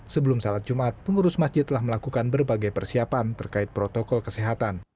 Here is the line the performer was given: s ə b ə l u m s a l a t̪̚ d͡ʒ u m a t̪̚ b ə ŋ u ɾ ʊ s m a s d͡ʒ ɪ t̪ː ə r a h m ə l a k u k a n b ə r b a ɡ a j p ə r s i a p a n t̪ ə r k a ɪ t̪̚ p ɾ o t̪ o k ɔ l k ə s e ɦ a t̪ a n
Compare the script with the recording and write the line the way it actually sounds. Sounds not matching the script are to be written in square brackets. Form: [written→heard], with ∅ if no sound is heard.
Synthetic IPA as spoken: s ə b ə l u m s a l a t̪̚ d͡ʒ u m a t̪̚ [b→p] ə ŋ u ɾ ʊ s m a s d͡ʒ ɪ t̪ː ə [r→l] a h m ə l a k u k a n b ə r b a ɡ a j p ə r s i a p a n t̪ ə r k a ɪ t̪̚ p ɾ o t̪ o k ɔ l k ə s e ɦ a t̪ a n